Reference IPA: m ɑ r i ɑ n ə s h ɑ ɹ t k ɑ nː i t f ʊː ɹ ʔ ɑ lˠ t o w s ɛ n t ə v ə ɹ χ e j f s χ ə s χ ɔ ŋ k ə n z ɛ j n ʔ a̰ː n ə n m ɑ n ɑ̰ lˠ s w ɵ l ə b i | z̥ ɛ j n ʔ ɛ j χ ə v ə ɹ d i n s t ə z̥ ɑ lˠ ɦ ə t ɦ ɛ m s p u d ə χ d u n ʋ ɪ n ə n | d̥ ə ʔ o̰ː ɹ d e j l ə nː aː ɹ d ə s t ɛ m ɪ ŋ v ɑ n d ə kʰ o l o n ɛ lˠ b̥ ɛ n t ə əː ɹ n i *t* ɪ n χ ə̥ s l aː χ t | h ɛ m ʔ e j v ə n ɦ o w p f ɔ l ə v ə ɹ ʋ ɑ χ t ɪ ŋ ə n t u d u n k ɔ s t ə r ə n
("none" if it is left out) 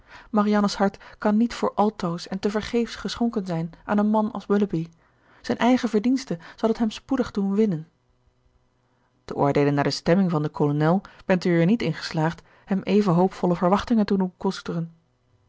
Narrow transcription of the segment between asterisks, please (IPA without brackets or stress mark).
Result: t